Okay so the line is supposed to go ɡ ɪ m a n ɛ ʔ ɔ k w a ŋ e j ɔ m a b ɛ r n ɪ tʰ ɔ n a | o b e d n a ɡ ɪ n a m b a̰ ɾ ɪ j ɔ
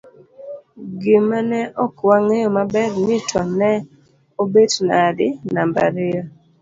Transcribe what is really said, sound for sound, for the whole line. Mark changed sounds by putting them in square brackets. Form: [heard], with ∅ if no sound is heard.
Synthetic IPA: ɡ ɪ m a n ɛ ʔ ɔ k w a ŋ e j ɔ m a b ɛ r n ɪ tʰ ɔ n [ɛ] | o b e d n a [d] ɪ n a m b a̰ ɾ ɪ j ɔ